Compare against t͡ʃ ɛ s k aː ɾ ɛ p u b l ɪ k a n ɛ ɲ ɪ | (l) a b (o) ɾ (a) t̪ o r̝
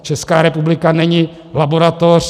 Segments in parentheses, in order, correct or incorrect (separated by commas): correct, correct, correct